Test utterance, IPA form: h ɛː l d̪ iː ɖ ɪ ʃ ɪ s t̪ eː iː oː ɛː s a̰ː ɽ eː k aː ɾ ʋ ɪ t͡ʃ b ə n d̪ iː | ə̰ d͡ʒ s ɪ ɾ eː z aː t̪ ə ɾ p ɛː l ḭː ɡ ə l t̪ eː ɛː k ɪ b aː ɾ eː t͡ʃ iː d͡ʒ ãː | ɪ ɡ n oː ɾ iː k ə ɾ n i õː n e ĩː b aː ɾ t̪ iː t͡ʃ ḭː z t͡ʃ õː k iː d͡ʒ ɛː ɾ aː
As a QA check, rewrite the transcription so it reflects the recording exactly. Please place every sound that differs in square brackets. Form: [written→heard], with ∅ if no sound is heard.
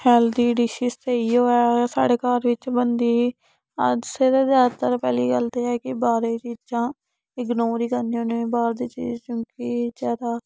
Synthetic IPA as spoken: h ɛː l d̪ iː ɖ ɪ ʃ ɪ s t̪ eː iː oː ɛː s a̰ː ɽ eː k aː ɾ ʋ ɪ t͡ʃ b ə n d̪ iː | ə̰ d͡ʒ s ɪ ɾ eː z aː t̪ ə ɾ p ɛː l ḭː ɡ ə l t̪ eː ɛː k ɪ b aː ɾ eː t͡ʃ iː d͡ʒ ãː | ɪ ɡ n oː ɾ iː k ə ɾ n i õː n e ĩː b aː ɾ [t̪→d̪] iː t͡ʃ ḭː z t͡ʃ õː k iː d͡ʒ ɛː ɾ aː